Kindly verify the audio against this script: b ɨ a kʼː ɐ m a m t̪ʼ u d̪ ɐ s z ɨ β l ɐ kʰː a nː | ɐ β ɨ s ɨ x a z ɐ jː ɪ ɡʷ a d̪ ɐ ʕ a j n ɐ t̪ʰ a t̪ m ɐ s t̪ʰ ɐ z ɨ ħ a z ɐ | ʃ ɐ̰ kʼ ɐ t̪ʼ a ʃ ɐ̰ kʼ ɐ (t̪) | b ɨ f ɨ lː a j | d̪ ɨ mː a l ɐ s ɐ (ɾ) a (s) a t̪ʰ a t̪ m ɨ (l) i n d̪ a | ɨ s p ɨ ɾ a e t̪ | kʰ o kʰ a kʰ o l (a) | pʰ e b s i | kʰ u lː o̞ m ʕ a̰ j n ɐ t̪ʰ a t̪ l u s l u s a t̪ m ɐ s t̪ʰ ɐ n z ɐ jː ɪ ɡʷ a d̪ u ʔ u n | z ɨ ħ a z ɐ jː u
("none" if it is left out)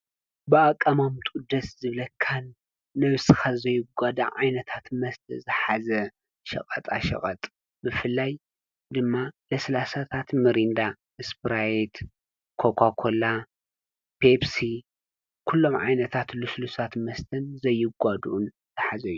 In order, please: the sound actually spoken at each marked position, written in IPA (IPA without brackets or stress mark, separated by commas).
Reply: t̪ʼ, l, s, ɾ, a